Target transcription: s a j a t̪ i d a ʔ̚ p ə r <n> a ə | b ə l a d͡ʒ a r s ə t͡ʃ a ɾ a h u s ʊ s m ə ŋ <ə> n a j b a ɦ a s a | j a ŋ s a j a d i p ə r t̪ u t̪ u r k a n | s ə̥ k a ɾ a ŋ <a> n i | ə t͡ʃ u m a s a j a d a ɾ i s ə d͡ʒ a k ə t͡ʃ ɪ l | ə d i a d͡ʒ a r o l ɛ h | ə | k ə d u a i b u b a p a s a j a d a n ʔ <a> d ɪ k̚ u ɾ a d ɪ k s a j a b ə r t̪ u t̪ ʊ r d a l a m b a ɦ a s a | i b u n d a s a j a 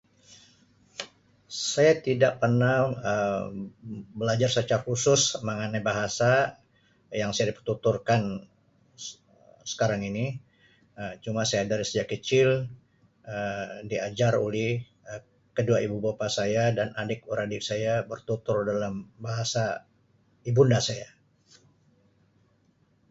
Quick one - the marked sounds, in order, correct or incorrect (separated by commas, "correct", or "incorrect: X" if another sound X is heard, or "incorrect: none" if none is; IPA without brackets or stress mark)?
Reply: correct, incorrect: a, incorrect: i, correct